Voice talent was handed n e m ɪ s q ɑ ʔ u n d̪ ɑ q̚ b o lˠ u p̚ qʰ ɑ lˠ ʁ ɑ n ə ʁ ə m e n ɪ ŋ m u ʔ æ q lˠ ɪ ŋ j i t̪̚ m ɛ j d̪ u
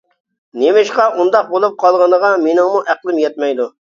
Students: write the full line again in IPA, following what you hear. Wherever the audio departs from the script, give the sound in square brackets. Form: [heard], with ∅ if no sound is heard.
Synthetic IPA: n e m ɪ [ʃ] q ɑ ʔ u n d̪ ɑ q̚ b o lˠ u p̚ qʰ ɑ lˠ ʁ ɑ n ə ʁ [ɑ] m e n ɪ ŋ m u ʔ æ q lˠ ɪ [m] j [ɛ] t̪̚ m ɛ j d̪ u